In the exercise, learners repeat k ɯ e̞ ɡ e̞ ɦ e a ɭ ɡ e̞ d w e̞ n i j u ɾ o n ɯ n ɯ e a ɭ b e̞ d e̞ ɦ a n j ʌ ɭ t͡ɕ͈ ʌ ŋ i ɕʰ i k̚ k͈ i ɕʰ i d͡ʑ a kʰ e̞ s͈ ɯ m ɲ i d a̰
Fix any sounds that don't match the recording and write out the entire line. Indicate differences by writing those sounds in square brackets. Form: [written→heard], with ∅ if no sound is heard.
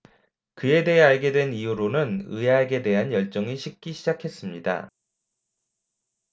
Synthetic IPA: k ɯ e̞ [ɡ→d] e̞ ɦ e a ɭ ɡ e̞ d w e̞ n i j u ɾ o n ɯ n ɯ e a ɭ [b→ɡ] e̞ d e̞ ɦ a n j ʌ ɭ t͡ɕ͈ ʌ ŋ i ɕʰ i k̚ k͈ i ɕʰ i d͡ʑ a kʰ e̞ s͈ ɯ m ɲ i d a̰